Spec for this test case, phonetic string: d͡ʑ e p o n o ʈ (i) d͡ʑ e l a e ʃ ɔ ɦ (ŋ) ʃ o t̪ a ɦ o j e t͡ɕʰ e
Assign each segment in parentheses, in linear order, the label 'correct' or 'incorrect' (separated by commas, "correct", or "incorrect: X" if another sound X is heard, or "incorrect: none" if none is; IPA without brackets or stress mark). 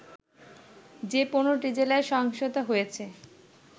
correct, correct